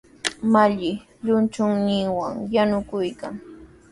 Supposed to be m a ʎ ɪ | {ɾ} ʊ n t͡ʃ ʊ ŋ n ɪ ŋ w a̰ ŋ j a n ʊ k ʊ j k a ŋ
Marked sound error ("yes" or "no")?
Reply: yes